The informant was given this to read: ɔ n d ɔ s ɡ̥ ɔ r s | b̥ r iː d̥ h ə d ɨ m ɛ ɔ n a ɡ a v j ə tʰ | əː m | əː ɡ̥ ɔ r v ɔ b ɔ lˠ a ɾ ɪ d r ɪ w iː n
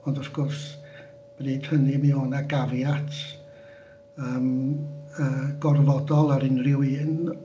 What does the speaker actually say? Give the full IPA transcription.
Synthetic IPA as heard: ɔ n d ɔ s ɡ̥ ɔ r s | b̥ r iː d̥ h ə n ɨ m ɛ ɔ n a ɡ a v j a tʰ | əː m | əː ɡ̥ ɔ r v ɔ d ɔ lˠ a ɾ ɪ n r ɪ w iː n